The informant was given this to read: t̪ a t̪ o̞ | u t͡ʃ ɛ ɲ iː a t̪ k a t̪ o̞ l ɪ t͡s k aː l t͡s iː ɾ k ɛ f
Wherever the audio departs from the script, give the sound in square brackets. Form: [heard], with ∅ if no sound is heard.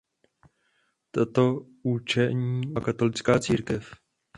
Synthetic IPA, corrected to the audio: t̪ a t̪ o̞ | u t͡ʃ ɛ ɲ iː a [∅] k a t̪ o̞ l ɪ t͡s k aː [∅] t͡s iː ɾ k ɛ f

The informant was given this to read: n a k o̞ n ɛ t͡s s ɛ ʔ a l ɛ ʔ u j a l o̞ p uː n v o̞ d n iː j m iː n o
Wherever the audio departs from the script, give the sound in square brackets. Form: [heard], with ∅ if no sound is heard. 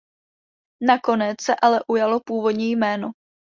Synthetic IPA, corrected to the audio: n a k o̞ n ɛ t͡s s ɛ ʔ a l ɛ ʔ u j a l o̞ p uː [∅] v o̞ d [ɲ] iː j m [ɛː] n o

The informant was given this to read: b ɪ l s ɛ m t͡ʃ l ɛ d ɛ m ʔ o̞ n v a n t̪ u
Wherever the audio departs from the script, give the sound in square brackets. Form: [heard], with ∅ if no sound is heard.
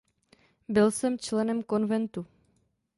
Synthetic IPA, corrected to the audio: b ɪ l s ɛ m t͡ʃ l ɛ [n] ɛ m [k] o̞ n v [ɛ] n t̪ u

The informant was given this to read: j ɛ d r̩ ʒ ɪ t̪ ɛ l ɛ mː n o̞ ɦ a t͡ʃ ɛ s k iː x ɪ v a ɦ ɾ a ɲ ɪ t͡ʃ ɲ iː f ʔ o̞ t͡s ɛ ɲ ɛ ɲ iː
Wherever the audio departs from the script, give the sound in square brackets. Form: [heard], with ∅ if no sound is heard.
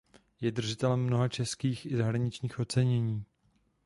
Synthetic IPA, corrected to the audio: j ɛ d r̩ ʒ ɪ t̪ ɛ l ɛ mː n o̞ ɦ a t͡ʃ ɛ s k iː x ɪ [z] a ɦ ɾ a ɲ ɪ t͡ʃ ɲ iː [x] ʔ o̞ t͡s ɛ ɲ ɛ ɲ iː

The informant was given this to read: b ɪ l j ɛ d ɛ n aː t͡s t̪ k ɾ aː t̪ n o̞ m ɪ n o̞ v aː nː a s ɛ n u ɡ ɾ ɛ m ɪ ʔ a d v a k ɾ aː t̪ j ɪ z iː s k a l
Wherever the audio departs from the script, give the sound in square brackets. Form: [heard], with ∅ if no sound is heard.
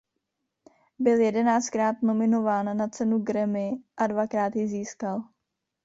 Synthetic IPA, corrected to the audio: b ɪ l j ɛ d ɛ n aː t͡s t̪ k ɾ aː t̪ n o̞ m ɪ n o̞ v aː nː a [t͡s] ɛ n u ɡ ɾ ɛ m ɪ ʔ a d v a k ɾ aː t̪ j ɪ z iː s k a l

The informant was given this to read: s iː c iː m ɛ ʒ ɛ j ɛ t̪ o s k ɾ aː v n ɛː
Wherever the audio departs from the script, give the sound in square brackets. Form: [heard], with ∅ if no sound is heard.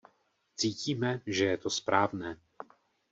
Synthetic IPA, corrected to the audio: [t͡s] iː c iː m ɛ ʒ ɛ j ɛ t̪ o s [p] ɾ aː v n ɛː

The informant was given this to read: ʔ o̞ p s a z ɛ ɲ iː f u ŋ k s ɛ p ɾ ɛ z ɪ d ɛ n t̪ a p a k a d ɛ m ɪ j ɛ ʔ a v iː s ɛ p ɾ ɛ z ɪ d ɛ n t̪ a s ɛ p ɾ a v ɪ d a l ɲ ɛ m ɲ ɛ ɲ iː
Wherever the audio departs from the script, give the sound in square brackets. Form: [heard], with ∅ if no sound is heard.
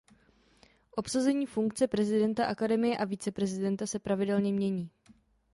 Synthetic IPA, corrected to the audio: ʔ o̞ p s a z ɛ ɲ iː f u ŋ k [t͡s] ɛ p ɾ ɛ z ɪ d ɛ n t̪ a [ʔ] a k a d ɛ m ɪ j ɛ ʔ a v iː [t͡s] ɛ p ɾ ɛ z ɪ d ɛ n t̪ a s ɛ p ɾ a v ɪ d [ɛ] l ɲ ɛ m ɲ ɛ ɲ iː

